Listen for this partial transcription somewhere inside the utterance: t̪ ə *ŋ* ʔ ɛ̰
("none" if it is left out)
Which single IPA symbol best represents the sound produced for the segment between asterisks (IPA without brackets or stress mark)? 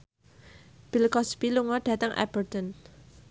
ŋ